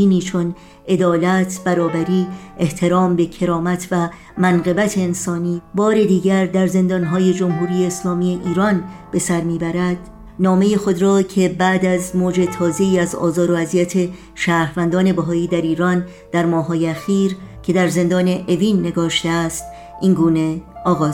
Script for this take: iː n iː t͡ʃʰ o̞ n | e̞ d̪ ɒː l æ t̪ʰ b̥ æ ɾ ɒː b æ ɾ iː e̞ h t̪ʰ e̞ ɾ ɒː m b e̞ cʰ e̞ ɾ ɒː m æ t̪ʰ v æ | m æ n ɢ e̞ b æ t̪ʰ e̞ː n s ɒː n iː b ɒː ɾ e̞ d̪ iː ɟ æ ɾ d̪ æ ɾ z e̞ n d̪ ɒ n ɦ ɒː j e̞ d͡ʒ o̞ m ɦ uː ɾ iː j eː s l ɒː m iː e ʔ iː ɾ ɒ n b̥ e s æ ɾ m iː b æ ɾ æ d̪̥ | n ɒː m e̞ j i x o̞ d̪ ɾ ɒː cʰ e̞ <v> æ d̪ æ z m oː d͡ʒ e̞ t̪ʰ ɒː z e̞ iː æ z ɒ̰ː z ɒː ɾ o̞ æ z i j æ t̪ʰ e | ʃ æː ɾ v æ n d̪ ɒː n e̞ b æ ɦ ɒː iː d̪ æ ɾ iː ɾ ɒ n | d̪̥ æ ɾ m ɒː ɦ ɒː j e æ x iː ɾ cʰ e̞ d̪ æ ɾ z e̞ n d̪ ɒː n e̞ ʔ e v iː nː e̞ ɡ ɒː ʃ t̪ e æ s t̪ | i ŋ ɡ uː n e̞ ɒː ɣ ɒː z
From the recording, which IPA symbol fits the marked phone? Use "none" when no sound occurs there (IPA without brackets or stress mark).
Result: b